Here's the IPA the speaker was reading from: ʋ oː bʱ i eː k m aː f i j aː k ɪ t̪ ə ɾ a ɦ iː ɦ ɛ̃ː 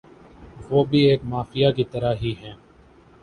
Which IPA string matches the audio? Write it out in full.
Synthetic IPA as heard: ʋ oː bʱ i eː k m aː f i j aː k i t̪ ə ɾ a ɦ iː ɦ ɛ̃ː